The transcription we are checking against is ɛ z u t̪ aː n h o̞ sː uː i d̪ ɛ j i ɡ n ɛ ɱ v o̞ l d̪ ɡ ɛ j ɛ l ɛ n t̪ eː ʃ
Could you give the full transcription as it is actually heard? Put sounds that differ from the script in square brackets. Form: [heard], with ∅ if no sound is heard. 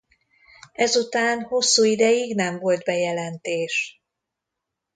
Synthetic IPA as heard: ɛ z u t̪ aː n h o̞ sː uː i d̪ ɛ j i ɡ n ɛ ɱ v o̞ l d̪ [b] ɛ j ɛ l ɛ n t̪ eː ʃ